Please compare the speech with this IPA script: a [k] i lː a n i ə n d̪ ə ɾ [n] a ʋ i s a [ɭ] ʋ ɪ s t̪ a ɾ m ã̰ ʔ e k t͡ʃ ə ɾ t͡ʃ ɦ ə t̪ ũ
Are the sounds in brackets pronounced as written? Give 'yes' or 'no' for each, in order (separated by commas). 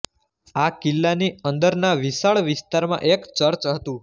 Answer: yes, yes, yes